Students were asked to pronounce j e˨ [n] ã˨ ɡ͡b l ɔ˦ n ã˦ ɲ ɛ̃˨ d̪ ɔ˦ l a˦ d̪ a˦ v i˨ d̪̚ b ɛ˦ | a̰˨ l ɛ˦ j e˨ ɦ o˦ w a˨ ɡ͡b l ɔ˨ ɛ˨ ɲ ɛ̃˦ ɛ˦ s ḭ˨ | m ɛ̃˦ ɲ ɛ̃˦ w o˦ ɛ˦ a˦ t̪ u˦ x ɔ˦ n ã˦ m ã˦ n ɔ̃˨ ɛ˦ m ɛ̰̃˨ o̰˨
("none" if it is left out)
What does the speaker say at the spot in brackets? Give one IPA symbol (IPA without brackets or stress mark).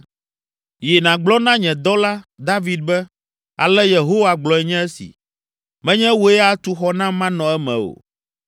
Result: n